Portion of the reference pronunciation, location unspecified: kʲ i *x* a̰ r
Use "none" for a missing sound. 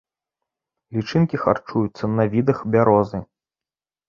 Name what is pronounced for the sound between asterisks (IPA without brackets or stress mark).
x